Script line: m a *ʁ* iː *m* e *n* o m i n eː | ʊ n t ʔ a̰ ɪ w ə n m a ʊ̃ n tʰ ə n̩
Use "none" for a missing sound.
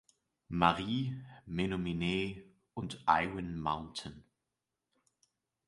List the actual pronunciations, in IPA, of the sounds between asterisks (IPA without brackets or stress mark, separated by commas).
ʁ, m, n